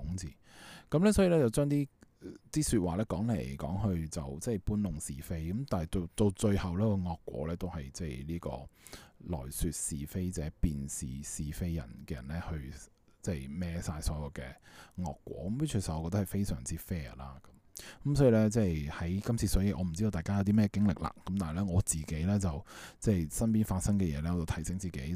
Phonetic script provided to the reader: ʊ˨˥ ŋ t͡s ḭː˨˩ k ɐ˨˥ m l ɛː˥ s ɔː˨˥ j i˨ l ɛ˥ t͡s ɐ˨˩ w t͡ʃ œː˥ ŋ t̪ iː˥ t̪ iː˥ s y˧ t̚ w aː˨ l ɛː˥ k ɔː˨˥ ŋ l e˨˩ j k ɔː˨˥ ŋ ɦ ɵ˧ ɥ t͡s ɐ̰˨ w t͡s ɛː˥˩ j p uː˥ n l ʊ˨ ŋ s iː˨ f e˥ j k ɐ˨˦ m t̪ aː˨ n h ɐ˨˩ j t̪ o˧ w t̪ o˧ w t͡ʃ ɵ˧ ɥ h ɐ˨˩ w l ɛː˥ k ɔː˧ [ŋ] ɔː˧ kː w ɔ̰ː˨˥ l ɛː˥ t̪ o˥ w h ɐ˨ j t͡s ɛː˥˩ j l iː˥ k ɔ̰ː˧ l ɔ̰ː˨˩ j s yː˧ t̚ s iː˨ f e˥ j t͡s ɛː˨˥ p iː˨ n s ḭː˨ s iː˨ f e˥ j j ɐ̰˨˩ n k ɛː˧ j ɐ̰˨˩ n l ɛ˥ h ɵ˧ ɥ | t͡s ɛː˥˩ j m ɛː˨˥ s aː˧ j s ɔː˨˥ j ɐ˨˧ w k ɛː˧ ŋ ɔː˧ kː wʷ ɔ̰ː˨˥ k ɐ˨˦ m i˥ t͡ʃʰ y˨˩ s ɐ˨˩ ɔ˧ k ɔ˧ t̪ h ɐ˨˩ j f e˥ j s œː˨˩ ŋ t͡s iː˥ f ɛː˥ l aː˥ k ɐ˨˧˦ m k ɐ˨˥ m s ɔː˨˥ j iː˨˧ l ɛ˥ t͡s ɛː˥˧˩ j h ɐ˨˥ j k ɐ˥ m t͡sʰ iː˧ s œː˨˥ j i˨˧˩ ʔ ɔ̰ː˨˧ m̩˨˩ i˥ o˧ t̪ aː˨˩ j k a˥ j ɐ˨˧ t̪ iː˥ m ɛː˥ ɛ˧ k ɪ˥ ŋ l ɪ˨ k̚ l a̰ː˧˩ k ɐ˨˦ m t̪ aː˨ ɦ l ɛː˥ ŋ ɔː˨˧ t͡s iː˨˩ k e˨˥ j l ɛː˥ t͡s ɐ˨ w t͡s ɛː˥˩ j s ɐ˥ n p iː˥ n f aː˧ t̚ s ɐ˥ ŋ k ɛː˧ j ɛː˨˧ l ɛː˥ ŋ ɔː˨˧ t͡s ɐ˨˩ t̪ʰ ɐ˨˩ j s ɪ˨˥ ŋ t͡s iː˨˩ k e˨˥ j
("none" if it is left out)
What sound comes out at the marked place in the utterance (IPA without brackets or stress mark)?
ŋ